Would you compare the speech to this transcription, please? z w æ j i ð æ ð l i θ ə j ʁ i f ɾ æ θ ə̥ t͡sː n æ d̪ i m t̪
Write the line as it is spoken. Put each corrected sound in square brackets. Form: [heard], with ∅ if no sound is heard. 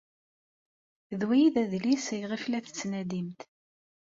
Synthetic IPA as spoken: [ð] w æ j i ð æ ð l i [s] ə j ʁ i f [l] æ θ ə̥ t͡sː n æ d̪ i m t̪